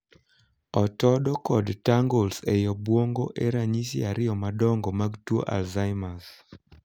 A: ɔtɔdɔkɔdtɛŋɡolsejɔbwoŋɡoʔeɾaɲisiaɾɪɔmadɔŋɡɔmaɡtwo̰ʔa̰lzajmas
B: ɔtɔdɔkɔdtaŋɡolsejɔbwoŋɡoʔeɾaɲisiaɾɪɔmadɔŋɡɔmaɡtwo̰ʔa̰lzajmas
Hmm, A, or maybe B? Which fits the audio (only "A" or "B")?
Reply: B